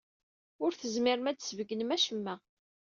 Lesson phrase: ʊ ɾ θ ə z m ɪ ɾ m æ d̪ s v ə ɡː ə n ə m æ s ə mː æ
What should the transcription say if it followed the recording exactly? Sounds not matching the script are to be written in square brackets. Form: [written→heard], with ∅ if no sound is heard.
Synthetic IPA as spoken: ʊ ɾ θ ə z m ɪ ɾ m æ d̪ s v ə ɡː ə n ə m æ [s→ʃ] ə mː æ